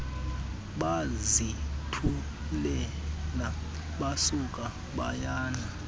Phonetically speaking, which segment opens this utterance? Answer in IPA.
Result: ɓ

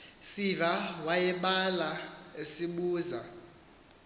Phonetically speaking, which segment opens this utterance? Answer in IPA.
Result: s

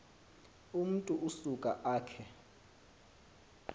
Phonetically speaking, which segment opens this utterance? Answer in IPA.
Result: u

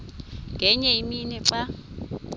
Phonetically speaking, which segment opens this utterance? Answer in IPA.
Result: ŋ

